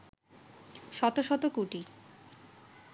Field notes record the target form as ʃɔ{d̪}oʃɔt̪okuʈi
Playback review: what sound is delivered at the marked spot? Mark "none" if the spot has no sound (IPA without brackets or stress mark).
t̪